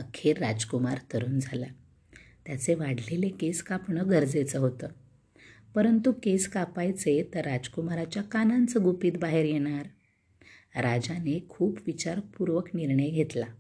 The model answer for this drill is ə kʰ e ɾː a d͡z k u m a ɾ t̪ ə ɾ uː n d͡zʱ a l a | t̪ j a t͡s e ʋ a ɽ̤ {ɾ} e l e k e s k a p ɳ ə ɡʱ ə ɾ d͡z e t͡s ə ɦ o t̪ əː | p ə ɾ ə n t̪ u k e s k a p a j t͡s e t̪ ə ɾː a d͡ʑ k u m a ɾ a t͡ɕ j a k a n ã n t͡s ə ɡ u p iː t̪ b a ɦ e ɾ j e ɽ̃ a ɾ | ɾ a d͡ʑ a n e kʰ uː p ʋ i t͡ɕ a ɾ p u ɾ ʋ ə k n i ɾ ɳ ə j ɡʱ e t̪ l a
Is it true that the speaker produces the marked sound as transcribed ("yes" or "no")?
no